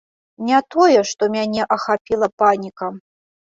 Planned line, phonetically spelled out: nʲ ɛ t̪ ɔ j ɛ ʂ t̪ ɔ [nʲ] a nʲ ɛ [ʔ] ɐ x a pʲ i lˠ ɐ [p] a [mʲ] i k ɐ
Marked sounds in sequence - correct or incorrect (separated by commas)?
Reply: incorrect, correct, correct, incorrect